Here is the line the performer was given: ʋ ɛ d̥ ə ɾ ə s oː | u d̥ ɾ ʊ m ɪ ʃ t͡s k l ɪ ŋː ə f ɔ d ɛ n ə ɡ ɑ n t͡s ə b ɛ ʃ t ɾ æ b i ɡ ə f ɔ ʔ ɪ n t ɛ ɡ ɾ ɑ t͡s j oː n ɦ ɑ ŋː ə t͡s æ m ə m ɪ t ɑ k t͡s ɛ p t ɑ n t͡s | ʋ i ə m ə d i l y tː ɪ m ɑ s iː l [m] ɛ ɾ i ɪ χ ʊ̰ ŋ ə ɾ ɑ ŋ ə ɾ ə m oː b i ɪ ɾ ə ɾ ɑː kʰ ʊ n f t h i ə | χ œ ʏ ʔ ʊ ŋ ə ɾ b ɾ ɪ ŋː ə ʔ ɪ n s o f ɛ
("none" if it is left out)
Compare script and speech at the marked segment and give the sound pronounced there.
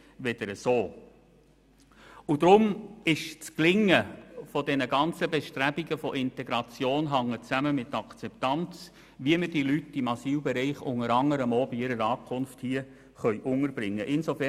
b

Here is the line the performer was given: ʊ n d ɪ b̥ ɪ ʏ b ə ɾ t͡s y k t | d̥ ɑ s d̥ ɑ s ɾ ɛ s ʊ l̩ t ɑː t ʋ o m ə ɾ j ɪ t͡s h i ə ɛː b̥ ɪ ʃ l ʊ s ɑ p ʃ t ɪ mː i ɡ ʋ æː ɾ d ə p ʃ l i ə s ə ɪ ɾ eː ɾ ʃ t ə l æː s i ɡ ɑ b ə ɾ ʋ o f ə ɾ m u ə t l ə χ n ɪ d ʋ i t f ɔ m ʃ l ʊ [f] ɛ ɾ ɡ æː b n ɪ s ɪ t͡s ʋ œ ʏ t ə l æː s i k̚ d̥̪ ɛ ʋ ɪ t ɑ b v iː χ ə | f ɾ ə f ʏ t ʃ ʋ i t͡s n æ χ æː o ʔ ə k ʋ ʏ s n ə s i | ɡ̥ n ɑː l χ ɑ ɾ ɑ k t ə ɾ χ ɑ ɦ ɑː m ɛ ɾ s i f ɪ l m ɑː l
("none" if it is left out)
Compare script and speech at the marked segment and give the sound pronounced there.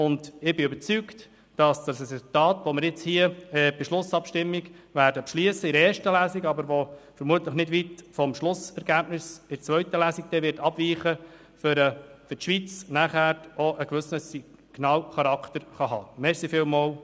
s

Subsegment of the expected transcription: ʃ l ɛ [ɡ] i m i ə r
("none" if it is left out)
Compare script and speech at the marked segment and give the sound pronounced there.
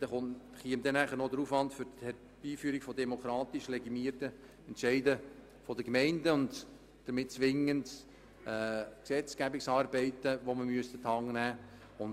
ɡ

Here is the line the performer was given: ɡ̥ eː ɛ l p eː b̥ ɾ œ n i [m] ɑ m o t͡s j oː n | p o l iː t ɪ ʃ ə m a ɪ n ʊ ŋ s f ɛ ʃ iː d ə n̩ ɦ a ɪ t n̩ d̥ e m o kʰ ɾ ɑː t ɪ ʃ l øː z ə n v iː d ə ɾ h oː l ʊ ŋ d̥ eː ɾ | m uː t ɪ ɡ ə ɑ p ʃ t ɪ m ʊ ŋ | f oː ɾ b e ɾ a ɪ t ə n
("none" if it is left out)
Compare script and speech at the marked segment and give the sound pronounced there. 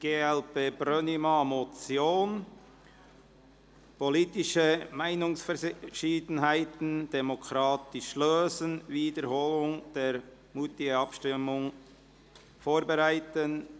m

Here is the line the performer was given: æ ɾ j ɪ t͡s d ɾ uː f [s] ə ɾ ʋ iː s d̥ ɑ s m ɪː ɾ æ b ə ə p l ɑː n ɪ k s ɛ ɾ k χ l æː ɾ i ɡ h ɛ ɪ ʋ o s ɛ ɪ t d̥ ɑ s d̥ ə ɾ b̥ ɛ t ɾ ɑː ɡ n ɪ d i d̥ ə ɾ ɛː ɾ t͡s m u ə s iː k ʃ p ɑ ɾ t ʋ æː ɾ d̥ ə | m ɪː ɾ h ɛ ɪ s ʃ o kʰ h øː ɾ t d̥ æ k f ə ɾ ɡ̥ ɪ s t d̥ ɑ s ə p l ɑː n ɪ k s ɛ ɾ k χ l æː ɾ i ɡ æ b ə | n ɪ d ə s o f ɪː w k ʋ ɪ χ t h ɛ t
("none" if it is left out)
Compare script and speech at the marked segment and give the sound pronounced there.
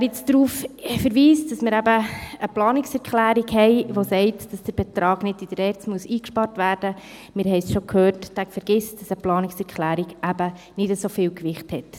f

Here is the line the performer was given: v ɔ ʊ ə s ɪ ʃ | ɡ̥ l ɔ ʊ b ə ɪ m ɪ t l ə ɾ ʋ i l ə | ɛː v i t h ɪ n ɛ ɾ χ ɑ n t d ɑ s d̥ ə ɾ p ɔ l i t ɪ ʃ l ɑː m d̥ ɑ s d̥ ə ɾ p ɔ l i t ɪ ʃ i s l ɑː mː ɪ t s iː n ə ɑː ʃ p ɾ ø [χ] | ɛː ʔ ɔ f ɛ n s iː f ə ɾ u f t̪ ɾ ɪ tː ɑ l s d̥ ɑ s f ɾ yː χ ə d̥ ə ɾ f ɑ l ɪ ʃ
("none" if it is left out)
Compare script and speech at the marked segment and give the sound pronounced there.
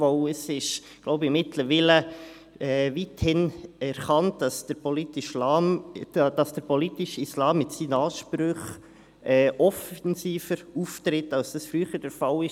χ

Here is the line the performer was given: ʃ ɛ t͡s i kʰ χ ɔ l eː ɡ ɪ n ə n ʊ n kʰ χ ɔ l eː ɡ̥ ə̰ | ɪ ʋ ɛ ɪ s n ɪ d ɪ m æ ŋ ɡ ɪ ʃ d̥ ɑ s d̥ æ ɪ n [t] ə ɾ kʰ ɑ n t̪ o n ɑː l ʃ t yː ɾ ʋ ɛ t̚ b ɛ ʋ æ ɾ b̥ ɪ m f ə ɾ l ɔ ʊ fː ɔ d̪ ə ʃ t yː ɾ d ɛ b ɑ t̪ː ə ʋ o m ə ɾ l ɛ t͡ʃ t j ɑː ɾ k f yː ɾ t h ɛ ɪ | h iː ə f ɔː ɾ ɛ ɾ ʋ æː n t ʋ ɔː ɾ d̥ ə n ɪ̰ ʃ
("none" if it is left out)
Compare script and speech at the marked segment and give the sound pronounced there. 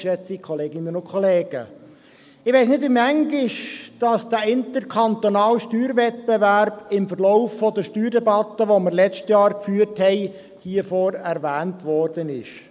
t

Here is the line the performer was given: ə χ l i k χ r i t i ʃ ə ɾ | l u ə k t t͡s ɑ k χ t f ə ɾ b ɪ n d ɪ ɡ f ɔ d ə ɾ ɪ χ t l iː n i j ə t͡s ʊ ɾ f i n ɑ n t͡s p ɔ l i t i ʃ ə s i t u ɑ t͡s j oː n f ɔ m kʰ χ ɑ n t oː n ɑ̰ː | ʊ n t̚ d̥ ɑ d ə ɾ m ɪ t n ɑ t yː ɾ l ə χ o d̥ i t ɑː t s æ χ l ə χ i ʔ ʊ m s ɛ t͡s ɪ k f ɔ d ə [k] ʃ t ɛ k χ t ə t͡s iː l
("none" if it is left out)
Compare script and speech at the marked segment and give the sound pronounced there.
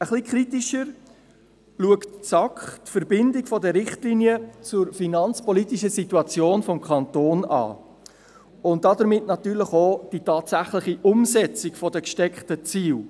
k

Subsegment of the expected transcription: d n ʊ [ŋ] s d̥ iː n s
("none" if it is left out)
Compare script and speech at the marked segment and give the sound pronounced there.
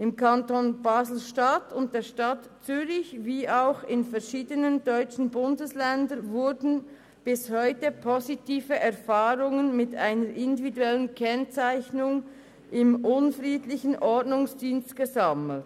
ŋ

